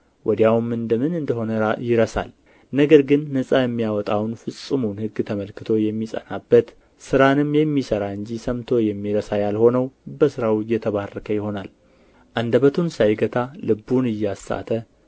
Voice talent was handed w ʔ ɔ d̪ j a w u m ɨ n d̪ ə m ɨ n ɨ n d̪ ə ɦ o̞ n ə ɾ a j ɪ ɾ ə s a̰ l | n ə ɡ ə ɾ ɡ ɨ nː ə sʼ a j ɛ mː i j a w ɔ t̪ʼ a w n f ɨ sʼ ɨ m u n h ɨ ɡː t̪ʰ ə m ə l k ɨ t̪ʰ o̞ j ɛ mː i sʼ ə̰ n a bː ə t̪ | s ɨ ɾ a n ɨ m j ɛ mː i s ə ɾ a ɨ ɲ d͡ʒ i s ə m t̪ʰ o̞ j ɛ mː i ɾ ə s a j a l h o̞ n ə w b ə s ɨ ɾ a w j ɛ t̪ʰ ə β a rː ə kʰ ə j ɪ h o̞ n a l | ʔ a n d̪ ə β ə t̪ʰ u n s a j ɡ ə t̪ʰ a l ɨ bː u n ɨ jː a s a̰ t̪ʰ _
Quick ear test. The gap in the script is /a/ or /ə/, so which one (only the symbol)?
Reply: ə